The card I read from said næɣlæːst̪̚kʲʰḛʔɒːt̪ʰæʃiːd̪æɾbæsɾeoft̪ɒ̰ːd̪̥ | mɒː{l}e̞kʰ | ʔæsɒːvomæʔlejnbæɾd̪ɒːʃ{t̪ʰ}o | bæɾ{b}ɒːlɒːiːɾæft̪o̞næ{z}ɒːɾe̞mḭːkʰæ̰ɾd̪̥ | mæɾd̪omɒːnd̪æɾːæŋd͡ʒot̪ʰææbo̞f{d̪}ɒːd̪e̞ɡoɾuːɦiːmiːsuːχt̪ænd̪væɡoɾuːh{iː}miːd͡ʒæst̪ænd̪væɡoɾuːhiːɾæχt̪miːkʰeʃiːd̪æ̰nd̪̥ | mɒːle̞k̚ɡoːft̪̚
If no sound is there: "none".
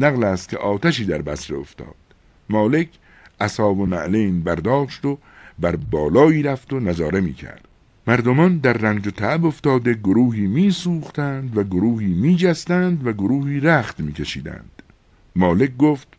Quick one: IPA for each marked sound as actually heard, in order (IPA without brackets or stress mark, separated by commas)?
l, t̪, b, z, t̪, iː